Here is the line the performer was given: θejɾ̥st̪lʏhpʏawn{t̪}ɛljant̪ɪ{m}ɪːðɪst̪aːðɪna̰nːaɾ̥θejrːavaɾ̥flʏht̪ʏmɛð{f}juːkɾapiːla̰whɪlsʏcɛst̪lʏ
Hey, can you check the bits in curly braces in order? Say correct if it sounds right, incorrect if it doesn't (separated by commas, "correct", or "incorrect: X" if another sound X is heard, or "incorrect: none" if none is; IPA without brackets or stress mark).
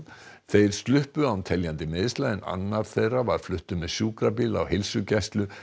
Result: incorrect: t̪ʰ, correct, incorrect: s